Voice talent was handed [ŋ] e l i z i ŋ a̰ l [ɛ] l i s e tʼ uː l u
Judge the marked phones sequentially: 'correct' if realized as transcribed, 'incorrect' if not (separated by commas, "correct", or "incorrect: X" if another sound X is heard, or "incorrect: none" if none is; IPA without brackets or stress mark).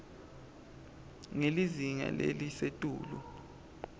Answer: correct, incorrect: e